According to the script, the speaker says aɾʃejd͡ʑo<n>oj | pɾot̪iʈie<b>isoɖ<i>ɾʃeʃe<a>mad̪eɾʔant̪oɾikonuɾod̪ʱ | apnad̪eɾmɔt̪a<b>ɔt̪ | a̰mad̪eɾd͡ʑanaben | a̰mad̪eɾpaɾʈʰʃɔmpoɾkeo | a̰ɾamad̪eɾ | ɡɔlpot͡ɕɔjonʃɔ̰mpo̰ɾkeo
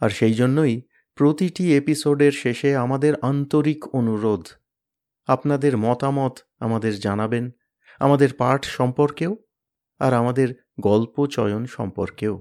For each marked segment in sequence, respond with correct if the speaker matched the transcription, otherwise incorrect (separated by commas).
incorrect, incorrect, incorrect, correct, incorrect